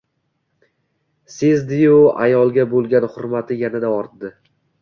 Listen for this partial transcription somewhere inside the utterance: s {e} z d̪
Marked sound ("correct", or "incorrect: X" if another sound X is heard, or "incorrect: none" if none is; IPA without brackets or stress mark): correct